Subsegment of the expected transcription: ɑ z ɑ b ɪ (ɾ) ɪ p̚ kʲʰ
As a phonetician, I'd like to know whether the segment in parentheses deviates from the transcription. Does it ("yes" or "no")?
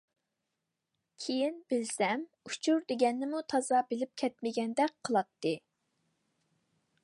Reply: yes